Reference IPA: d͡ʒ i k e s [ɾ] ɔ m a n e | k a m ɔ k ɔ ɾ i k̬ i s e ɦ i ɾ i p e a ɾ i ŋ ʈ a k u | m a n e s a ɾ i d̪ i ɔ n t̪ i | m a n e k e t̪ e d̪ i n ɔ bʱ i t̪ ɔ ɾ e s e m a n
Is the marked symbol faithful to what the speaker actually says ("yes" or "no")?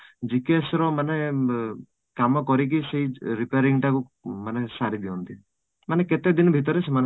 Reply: yes